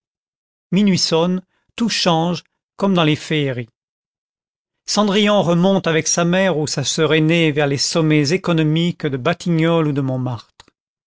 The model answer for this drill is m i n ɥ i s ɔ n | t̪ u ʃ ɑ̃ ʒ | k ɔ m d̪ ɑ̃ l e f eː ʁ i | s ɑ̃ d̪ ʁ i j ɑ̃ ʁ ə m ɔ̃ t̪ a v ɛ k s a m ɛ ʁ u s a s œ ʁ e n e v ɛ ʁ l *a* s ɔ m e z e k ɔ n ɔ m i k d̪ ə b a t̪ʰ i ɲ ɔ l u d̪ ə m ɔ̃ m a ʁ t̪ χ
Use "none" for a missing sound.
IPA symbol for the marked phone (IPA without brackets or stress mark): e